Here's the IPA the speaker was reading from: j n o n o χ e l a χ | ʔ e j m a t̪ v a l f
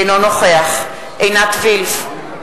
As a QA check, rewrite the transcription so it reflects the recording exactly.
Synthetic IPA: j n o n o χ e a χ | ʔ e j n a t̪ v i l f